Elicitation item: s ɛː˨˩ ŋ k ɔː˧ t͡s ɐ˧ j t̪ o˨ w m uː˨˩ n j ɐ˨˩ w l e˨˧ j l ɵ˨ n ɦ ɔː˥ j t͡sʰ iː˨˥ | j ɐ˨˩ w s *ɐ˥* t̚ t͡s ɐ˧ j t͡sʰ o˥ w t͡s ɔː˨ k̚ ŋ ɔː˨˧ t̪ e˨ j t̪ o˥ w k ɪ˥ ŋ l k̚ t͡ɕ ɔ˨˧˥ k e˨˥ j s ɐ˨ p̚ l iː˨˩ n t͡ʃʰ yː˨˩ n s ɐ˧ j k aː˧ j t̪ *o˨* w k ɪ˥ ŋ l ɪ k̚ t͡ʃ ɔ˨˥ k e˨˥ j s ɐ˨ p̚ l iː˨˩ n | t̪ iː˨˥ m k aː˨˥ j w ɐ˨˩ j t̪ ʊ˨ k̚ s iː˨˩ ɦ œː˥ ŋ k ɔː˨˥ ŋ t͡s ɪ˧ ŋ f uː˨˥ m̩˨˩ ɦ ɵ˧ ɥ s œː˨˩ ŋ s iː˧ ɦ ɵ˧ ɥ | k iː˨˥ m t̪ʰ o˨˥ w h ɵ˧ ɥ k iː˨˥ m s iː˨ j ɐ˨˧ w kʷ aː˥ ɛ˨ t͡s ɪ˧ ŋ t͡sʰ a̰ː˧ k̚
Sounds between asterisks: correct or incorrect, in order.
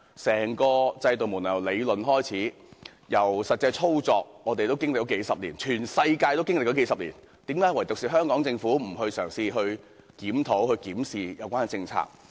incorrect, incorrect

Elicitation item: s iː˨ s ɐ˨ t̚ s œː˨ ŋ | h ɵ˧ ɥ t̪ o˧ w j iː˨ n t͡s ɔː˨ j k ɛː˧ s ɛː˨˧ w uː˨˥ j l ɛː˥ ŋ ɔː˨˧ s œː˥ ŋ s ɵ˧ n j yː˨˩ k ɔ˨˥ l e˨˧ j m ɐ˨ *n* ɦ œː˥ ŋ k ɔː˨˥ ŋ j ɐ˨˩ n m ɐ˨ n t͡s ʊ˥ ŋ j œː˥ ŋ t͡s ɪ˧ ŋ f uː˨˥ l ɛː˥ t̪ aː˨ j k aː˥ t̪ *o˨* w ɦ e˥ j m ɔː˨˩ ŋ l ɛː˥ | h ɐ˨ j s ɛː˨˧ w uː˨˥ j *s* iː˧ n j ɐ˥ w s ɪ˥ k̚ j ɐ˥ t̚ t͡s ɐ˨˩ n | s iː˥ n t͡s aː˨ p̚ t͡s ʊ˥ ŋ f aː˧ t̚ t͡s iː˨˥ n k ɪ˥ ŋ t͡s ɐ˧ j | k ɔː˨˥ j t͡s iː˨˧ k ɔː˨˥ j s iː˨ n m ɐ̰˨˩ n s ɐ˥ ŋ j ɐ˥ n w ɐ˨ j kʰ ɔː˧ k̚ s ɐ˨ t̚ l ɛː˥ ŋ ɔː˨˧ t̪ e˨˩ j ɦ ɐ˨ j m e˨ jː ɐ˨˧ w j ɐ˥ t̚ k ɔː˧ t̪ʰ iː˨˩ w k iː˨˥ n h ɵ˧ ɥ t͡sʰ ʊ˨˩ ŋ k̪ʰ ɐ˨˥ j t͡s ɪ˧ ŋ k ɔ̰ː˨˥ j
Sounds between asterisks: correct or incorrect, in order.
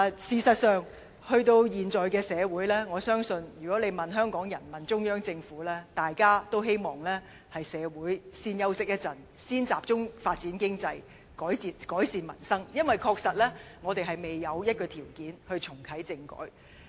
correct, incorrect, correct

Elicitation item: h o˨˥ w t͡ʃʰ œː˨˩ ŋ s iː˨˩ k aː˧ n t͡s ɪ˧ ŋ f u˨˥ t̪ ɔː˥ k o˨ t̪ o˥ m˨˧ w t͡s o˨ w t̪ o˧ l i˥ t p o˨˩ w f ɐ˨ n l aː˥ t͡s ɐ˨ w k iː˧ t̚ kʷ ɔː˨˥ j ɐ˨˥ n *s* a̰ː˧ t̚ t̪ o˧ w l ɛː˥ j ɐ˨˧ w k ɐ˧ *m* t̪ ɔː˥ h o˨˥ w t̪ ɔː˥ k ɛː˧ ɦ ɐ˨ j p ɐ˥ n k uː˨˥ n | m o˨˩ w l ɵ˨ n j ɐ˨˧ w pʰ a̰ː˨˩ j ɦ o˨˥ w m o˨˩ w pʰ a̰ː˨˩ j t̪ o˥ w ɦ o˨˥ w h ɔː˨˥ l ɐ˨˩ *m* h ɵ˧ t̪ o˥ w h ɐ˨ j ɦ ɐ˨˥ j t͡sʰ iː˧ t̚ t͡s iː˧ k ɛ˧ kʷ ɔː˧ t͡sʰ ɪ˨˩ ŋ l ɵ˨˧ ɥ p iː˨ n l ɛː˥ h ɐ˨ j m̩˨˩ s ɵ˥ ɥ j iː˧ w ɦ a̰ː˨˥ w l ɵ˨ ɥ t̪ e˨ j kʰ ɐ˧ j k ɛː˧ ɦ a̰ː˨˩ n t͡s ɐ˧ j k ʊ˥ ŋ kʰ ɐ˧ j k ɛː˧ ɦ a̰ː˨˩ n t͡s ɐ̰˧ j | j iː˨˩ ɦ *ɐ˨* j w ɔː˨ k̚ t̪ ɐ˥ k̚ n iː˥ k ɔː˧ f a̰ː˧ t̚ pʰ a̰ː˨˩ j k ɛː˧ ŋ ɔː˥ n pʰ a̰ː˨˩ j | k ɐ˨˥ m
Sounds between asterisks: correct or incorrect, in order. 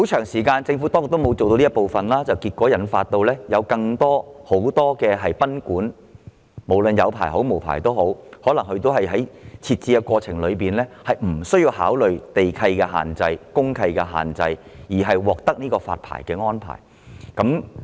incorrect, incorrect, incorrect, correct

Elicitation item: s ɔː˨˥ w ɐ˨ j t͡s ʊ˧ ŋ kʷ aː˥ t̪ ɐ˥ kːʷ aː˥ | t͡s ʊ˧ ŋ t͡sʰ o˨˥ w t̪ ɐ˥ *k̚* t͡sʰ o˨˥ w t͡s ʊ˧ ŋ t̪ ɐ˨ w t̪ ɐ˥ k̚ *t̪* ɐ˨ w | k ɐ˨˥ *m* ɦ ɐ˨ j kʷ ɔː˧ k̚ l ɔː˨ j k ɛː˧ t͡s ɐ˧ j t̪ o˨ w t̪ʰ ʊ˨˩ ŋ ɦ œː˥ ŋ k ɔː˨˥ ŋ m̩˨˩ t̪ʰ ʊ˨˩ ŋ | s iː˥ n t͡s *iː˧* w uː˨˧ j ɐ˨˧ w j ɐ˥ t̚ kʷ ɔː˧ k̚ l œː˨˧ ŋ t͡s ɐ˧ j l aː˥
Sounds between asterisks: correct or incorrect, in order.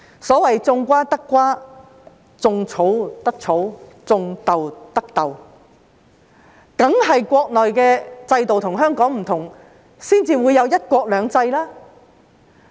correct, correct, incorrect, correct

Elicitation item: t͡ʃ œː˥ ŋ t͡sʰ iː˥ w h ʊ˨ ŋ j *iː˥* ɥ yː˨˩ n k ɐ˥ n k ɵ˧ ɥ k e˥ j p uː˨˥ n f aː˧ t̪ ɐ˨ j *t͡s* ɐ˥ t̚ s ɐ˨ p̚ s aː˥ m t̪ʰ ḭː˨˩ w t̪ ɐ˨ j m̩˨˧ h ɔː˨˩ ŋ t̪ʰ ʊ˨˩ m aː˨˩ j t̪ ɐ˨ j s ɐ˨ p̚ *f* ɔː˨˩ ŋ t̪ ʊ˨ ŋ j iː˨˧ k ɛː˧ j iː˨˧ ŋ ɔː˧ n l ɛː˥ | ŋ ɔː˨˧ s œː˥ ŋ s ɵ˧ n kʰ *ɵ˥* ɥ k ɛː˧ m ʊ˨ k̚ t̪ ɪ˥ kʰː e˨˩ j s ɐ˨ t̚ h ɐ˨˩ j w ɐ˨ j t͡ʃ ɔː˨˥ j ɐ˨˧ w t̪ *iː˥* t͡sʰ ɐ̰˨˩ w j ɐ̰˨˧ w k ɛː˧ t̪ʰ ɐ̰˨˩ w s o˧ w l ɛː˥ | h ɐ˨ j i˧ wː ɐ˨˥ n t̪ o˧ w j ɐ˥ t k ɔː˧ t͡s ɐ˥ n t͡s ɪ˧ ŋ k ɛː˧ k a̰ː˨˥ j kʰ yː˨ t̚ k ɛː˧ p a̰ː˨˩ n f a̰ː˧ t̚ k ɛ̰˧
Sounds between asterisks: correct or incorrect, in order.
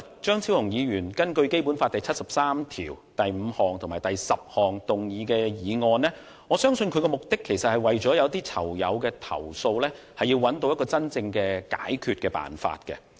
incorrect, incorrect, incorrect, incorrect, correct

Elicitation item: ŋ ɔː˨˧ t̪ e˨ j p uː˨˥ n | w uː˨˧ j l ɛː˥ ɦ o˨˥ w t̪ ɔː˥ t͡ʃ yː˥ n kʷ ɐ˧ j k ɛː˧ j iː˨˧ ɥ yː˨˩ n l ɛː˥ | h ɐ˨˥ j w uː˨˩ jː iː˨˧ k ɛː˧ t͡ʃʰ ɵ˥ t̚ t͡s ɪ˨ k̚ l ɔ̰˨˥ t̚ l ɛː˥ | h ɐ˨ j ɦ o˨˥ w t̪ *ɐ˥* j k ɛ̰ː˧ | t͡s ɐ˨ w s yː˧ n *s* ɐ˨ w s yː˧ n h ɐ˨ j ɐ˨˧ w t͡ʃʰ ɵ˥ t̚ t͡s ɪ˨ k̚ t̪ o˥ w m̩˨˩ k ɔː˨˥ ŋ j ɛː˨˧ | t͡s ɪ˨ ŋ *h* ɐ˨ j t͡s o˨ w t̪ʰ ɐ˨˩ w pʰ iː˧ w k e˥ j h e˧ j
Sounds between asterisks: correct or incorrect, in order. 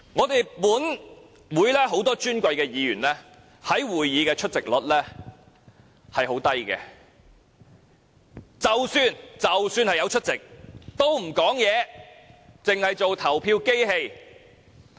correct, incorrect, correct

